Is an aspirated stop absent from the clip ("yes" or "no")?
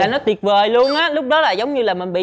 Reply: yes